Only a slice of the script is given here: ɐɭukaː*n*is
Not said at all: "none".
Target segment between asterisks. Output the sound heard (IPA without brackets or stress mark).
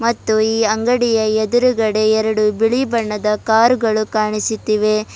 ɳ